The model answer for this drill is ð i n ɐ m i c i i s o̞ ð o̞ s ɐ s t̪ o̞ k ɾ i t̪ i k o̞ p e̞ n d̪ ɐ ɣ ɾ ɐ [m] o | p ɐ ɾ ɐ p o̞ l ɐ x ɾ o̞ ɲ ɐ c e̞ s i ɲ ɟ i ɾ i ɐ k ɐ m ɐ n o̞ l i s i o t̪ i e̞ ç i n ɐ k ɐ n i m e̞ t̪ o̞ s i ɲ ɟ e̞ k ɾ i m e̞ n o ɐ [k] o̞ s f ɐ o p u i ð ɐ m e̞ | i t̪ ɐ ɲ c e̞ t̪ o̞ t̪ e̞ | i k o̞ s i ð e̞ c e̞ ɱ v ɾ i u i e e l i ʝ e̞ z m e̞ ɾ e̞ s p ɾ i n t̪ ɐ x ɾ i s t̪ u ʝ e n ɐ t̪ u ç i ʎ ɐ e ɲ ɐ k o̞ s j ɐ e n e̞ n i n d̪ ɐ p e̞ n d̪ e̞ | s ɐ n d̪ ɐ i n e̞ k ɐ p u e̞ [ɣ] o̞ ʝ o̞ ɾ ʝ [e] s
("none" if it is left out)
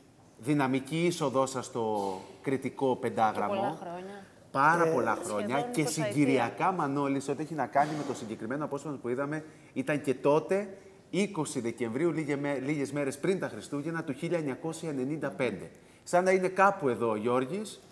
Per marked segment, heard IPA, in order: m, p, ð, i

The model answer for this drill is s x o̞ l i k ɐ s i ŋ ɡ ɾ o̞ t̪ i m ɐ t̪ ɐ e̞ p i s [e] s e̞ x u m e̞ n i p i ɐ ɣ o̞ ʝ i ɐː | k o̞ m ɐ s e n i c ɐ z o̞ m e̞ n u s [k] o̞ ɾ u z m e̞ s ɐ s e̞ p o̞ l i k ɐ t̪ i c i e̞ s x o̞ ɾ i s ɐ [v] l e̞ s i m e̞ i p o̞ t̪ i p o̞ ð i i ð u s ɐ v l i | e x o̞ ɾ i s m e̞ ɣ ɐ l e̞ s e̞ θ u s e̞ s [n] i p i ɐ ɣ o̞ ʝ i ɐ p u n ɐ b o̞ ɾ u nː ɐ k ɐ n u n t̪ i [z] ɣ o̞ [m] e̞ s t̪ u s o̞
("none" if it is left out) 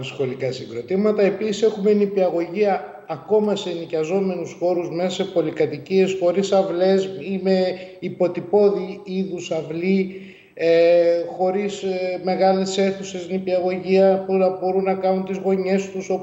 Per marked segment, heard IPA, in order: i, x, v, n, z, ɲ

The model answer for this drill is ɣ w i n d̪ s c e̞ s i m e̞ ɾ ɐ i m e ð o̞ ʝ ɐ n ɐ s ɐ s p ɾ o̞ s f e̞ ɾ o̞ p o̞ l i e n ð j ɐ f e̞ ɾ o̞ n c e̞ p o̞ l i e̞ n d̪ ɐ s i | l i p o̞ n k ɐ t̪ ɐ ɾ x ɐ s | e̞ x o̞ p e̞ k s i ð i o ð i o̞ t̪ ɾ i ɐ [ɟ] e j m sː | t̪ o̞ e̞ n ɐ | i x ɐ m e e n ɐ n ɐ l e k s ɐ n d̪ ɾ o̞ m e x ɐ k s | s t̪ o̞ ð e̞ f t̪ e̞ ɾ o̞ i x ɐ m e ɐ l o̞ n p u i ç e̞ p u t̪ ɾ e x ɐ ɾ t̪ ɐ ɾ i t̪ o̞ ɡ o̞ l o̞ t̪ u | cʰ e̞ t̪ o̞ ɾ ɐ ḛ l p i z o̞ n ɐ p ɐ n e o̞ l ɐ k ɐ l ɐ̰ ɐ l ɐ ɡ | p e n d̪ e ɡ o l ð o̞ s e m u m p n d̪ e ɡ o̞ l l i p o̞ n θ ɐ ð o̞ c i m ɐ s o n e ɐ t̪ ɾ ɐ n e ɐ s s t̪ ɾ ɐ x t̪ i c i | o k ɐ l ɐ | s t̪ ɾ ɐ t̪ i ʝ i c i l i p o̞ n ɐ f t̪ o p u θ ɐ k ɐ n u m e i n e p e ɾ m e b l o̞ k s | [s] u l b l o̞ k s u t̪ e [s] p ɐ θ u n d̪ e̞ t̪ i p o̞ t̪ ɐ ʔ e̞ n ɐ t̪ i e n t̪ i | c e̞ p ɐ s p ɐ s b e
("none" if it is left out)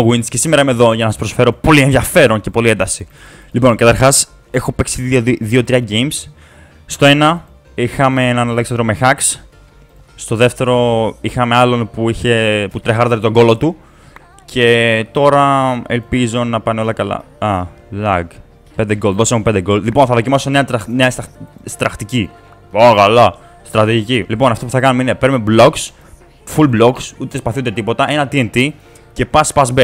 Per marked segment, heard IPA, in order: ɟ, f, s

